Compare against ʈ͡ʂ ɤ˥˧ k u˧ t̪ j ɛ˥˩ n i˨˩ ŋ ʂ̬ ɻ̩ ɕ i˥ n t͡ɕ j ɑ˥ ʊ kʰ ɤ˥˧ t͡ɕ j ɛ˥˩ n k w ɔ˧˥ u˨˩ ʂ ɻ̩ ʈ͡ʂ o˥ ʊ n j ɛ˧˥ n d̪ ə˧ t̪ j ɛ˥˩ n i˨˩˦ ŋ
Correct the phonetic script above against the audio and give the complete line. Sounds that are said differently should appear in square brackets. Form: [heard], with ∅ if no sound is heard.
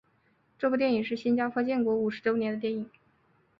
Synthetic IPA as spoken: ʈ͡ʂ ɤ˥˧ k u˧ t̪ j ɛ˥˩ n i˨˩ ŋ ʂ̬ ɻ̩ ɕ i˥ n t͡ɕ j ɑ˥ ʊ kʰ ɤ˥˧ t͡ɕ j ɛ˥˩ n k w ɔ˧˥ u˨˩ ʂ ɻ̩ ʈ͡ʂ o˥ ʊ n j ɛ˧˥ n d̪ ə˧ t̪ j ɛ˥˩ n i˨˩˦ ŋ